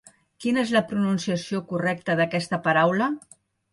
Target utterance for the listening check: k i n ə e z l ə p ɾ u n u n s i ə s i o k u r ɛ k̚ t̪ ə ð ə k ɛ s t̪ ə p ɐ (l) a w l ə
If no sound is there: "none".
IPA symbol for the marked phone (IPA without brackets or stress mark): ɾ